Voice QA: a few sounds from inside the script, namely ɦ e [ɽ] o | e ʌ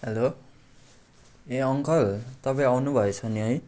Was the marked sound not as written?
yes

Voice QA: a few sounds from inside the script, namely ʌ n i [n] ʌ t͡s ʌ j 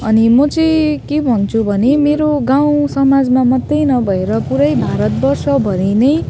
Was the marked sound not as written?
yes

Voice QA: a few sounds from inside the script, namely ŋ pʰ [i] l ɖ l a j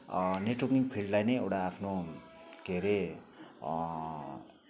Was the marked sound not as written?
no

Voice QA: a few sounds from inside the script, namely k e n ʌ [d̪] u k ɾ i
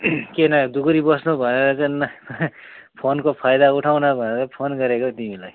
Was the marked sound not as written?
no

